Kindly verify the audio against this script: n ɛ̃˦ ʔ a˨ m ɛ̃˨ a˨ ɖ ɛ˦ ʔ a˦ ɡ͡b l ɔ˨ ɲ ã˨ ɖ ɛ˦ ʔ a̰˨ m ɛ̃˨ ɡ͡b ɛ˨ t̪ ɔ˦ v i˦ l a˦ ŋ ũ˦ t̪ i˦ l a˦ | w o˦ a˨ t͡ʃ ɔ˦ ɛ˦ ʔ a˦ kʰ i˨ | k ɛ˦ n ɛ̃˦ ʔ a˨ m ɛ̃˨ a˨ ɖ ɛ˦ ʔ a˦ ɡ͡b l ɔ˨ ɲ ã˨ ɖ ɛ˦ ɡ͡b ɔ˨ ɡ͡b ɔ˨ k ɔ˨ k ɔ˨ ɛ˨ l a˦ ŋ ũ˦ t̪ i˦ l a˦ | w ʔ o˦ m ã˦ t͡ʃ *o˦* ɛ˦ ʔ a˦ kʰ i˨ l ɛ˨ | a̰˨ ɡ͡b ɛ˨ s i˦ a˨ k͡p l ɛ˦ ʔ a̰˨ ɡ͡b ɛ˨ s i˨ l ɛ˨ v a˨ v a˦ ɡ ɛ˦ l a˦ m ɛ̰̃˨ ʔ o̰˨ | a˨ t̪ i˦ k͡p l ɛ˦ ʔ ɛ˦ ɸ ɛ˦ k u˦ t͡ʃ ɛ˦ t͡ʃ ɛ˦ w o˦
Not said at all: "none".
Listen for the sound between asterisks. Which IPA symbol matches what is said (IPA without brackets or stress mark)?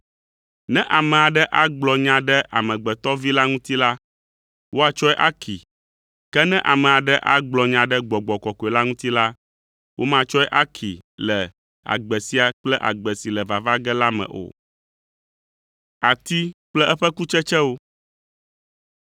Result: ɔ˦